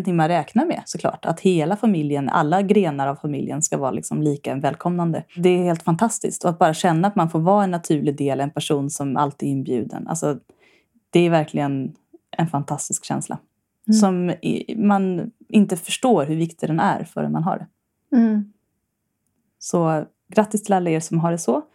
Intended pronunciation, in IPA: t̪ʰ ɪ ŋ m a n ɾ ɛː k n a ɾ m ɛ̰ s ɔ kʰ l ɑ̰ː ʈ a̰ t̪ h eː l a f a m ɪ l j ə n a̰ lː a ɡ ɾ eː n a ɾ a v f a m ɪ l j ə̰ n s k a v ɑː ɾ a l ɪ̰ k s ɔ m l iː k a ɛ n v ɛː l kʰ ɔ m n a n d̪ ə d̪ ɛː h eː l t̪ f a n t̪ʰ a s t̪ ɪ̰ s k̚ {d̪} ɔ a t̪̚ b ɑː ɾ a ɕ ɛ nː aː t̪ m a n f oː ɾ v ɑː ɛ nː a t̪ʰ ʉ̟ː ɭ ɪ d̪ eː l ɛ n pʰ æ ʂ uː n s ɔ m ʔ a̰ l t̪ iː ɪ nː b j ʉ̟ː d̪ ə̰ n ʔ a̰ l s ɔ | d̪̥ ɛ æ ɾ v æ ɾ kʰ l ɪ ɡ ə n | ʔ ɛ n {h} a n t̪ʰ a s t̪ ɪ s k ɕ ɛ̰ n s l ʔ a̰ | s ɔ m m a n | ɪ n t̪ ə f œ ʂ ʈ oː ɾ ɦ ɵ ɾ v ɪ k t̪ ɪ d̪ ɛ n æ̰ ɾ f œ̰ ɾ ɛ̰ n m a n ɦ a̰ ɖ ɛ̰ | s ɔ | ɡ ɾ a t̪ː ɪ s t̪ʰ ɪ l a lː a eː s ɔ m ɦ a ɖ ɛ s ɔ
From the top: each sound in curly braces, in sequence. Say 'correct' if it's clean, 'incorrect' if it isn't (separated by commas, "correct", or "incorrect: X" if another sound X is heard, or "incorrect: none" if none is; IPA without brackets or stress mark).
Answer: incorrect: t̪, incorrect: f